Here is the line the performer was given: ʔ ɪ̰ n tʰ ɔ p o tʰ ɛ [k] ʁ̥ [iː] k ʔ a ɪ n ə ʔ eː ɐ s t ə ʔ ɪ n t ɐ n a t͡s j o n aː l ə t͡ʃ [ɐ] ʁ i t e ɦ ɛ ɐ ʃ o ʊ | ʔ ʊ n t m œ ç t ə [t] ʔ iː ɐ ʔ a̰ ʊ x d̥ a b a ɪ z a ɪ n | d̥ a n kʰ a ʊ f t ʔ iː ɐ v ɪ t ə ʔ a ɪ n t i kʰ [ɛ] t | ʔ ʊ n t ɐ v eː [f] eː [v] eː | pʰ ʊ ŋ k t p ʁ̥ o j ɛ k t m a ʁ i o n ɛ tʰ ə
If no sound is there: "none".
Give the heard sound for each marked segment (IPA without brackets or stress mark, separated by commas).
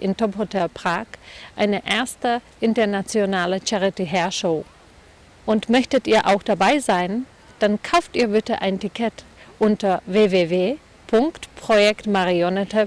p, aː, a, t, ɛ, v, v